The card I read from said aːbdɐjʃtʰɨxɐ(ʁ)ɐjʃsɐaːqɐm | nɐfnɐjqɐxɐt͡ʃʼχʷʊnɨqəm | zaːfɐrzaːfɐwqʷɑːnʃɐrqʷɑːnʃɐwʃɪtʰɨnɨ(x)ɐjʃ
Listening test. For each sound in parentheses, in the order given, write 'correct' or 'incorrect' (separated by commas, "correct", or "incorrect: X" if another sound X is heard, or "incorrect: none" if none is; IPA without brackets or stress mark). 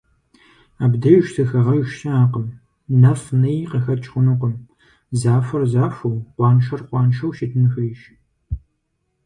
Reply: correct, correct